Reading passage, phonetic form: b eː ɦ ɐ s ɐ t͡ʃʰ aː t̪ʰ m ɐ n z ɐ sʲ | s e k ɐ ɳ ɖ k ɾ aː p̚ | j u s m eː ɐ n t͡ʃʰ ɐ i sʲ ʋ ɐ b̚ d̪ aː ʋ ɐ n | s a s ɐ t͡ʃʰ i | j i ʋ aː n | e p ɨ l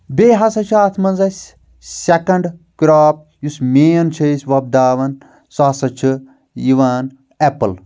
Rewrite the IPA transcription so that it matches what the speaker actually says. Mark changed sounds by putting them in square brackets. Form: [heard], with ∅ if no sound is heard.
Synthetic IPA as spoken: b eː ɦ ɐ s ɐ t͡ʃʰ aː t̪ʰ m ɐ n z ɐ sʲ | s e k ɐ ɳ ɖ k ɾ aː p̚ | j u s m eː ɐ n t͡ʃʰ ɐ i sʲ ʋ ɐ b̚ d̪ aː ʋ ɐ n | s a s ɐ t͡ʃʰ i | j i ʋ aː n | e p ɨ l